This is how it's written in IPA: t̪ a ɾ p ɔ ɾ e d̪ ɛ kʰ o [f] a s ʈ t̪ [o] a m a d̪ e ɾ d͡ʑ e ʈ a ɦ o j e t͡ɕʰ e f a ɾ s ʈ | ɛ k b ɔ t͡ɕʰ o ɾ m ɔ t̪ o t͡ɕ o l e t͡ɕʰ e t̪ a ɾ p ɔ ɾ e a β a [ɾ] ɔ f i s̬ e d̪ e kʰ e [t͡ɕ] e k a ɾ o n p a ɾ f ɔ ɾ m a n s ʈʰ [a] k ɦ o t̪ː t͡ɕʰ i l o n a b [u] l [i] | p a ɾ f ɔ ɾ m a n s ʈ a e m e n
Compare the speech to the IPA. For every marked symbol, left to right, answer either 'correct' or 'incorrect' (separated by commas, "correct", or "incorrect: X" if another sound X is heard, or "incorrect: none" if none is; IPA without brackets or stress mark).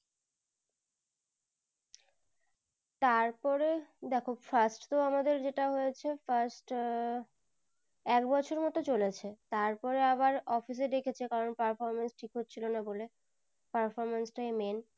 correct, correct, correct, incorrect: t͡ɕʰ, incorrect: i, incorrect: o, incorrect: e